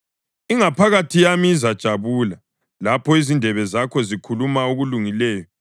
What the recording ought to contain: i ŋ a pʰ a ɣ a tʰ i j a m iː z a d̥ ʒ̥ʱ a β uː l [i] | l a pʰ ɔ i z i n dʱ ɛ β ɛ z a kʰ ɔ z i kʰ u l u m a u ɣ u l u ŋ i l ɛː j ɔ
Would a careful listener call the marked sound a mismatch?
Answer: yes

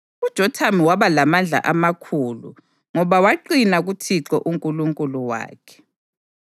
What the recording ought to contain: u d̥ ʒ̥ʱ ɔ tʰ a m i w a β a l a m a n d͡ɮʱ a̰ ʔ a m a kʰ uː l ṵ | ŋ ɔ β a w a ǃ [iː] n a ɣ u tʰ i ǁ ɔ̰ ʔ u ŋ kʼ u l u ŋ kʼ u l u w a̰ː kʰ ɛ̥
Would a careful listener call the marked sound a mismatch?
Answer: yes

